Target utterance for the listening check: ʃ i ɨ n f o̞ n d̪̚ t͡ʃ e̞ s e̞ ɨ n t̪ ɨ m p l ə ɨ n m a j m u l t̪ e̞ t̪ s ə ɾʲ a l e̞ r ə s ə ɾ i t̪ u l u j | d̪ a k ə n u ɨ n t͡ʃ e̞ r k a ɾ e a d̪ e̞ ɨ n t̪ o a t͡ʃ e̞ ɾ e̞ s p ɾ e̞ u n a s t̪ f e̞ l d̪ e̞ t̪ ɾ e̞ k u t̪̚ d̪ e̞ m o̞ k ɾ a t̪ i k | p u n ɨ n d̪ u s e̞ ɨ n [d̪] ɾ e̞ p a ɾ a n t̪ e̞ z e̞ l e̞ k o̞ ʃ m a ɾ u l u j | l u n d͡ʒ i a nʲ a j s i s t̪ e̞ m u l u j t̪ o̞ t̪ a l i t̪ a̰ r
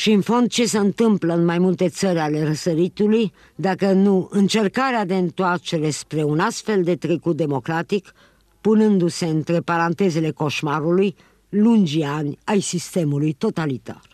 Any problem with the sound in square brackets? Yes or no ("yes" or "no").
yes